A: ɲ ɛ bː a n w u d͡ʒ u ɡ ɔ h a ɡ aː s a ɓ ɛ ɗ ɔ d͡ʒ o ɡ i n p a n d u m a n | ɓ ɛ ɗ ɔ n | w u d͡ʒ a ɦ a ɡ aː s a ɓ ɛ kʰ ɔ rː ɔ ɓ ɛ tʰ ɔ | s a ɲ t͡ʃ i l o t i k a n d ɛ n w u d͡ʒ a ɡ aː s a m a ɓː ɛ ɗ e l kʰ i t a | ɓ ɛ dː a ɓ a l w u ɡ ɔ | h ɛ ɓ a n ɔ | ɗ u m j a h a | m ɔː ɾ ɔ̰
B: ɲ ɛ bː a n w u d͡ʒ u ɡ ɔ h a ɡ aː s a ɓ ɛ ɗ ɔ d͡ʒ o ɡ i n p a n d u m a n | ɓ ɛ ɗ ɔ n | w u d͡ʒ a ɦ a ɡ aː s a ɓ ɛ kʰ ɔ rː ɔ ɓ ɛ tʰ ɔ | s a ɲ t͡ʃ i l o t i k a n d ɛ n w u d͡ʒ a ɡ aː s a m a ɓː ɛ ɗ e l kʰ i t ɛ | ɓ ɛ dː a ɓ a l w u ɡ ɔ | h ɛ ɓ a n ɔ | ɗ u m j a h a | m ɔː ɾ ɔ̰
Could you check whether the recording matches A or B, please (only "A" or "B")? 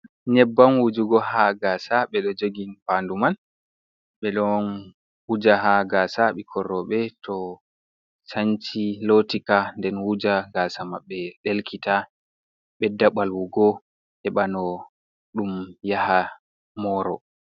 A